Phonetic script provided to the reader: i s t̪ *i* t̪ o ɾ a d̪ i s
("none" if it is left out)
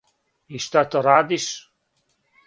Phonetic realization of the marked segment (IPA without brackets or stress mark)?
a